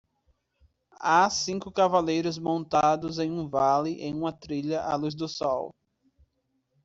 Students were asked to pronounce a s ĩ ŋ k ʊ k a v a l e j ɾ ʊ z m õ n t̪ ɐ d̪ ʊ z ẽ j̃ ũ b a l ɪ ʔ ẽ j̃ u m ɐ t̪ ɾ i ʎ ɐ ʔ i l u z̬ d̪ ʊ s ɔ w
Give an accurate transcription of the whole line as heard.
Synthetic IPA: a s ĩ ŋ k ʊ k a v a l e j ɾ ʊ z m õ n t̪ a d̪ ʊ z ẽ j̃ ũ v a l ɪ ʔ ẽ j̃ ũ m ɐ t̪ ɾ i ʎ ɐ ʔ a l u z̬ d̪ ʊ s ɔ w